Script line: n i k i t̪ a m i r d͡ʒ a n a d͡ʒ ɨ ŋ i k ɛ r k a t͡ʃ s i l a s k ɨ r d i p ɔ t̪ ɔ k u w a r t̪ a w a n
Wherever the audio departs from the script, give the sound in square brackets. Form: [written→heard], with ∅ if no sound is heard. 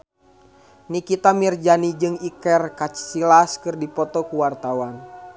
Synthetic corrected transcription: n i k i t̪ a m i r d͡ʒ a n [a→i] d͡ʒ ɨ ŋ i k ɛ r k a t͡ʃ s i l a s k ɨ r d i p ɔ t̪ ɔ k u w a r t̪ a w a n